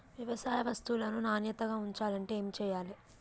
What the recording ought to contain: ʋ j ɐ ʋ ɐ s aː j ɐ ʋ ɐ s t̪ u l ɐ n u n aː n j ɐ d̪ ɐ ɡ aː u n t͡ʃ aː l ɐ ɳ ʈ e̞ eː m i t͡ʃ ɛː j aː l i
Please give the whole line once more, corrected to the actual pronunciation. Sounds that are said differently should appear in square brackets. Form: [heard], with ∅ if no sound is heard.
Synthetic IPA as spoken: ʋ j ɐ ʋ ɐ s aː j ɐ ʋ ɐ s t̪ u l ɐ n u n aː n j ɐ [t̪] ɐ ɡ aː u [ɲ] t͡ʃ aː l ɐ ɳ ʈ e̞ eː m i t͡ʃ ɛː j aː l i